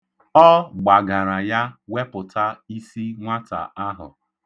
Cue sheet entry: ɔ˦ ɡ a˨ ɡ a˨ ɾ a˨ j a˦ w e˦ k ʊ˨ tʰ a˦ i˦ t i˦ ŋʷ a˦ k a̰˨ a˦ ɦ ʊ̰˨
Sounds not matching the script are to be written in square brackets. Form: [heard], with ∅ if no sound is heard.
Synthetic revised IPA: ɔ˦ [ɡ͡b] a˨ ɡ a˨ ɾ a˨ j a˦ w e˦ [p] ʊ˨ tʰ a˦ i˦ [s] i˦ ŋʷ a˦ [t] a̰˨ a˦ ɦ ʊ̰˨